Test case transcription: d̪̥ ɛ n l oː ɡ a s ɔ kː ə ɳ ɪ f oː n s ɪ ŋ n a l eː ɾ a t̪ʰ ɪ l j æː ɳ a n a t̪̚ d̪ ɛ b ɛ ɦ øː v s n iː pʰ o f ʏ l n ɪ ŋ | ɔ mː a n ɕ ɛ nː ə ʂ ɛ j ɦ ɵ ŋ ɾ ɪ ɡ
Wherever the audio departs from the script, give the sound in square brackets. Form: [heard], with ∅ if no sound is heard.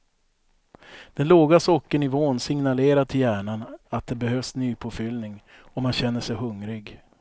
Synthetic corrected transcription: d̪̥ ɛ n l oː ɡ a s ɔ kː ə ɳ ɪ [v] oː n s ɪ ŋ n a l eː ɾ a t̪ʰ ɪ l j æː ɳ a n a t̪̚ d̪ ɛ b ɛ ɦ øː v s n [yː] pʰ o f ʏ l n ɪ ŋ | ɔ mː a n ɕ ɛ nː ə ʂ ɛ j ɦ ɵ ŋ ɾ ɪ ɡ